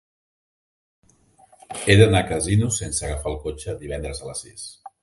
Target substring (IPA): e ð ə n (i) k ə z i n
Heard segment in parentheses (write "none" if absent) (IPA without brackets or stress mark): a